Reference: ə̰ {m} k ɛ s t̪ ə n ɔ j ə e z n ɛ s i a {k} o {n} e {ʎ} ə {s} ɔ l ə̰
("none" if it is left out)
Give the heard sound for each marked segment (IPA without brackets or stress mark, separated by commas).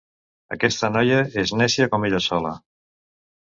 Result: none, k, m, ʎ, s